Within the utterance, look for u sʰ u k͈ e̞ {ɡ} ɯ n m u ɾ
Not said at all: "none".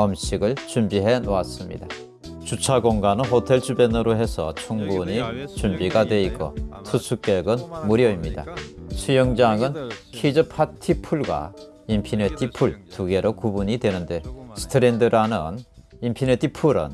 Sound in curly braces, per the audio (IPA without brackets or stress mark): ɡ